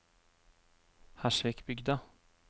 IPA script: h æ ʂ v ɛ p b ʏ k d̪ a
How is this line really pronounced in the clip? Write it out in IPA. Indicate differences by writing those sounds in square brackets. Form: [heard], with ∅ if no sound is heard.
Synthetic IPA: h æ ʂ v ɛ [k] b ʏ [ɡ] d̪ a

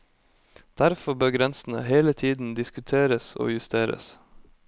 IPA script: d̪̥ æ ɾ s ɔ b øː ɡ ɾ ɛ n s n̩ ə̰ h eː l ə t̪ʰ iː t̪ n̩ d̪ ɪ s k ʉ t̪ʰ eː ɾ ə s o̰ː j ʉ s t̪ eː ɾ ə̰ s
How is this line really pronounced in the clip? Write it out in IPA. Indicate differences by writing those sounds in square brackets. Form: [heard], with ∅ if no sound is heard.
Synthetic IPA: d̪̥ æ ɾ [f] ɔ b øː ɡ ɾ ɛ n s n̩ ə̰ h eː l ə t̪ʰ iː [d̪] n̩ d̪ ɪ s k ʉ t̪ʰ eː ɾ ə s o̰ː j ʉ s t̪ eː ɾ ə̰ s

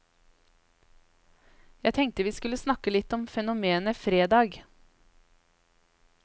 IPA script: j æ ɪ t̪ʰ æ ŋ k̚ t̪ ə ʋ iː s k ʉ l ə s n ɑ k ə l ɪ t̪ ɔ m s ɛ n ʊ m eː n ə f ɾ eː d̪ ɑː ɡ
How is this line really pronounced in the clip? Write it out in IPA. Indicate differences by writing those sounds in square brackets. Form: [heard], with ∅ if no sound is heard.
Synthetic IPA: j æ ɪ t̪ʰ [ɛ] ŋ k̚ t̪ ə ʋ iː s k ʉ l ə s n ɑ k ə l ɪ t̪ ɔ m [f] ɛ n ʊ m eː n ə f ɾ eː d̪ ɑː ɡ

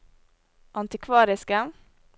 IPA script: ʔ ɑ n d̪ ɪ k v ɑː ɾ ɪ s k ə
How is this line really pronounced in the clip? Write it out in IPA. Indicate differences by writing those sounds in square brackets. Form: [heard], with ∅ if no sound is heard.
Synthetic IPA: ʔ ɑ n [t̪] ɪ [kʰ] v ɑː ɾ ɪ s k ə

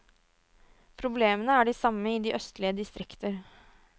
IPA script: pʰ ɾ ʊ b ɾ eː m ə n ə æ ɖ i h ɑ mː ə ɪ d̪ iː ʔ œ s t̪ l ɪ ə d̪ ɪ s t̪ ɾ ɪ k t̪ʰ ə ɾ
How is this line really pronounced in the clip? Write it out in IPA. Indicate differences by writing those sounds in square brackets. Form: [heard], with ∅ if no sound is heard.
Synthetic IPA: pʰ ɾ ʊ b [l] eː m ə n ə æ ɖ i [s] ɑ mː ə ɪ d̪ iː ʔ œ s t̪ l ɪ ə d̪ ɪ s t̪ ɾ ɪ k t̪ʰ ə ɾ

